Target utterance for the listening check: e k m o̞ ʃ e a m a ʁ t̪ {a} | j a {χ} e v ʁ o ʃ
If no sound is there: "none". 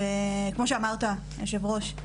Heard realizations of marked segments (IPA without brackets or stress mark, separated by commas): a, ʃ